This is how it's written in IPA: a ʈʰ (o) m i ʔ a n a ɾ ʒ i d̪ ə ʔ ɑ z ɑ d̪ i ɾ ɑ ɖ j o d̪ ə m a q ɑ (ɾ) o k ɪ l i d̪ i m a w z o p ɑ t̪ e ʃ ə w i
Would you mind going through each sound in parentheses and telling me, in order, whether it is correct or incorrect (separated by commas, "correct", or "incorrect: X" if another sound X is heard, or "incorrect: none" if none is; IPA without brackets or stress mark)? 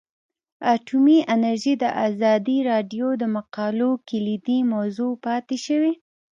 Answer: incorrect: u, incorrect: l